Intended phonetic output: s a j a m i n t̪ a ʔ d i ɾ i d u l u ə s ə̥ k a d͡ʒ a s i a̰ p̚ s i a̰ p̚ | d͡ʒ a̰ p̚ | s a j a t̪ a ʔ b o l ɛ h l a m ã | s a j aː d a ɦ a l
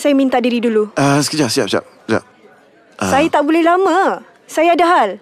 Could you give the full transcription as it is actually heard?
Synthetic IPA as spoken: s a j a m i n t̪ a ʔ d i ɾ i d u l u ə s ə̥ k ə d͡ʒ a s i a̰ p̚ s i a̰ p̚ | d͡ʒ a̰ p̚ | s a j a t̪ a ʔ b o l ɛ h l a m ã | s a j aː d a ɦ a l